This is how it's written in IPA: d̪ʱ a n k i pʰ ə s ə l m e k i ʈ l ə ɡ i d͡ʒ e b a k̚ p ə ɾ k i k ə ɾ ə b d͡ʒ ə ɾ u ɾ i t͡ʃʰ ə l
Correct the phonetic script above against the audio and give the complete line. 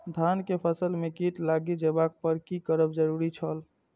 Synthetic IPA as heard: d̪ʱ a n k e pʰ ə s ə l m e k i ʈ l a ɡ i d͡ʒ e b a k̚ p ə ɾ k i k ə ɾ ə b d͡ʒ ə ɾ u ɾ i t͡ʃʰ ə l